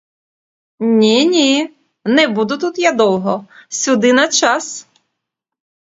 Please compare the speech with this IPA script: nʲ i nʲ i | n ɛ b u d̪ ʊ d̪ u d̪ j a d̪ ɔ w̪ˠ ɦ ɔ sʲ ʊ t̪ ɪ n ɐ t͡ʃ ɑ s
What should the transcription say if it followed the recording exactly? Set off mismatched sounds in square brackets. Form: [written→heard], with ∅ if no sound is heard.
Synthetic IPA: nʲ i nʲ i | n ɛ b u d̪ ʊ [d̪→t̪] u [d̪→t̪] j a d̪ ɔ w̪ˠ ɦ ɔ sʲ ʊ [t̪→d̪] ɪ n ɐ t͡ʃ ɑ s